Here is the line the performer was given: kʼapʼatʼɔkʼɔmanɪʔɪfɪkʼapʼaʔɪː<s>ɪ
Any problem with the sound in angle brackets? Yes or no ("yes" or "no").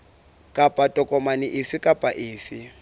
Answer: yes